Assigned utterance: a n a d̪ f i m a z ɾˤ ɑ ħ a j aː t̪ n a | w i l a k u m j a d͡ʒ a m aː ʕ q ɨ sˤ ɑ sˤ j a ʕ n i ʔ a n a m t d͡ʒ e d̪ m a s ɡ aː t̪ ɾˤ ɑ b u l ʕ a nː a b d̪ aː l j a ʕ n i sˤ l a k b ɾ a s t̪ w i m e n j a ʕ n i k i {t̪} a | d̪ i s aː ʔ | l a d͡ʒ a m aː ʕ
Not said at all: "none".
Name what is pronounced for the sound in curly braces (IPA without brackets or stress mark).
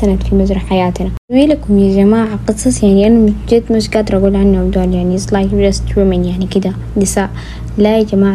d̪